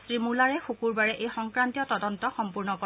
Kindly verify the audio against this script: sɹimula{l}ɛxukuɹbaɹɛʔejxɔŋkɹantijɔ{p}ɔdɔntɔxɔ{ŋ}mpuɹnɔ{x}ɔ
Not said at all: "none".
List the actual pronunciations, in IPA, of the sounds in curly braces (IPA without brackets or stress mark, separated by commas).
ɹ, t, none, k